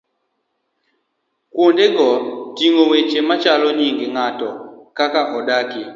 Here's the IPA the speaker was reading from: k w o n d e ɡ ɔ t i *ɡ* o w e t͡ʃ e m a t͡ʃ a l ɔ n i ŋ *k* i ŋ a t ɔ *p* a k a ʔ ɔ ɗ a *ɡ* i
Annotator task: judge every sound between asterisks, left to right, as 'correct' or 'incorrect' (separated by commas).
incorrect, incorrect, incorrect, incorrect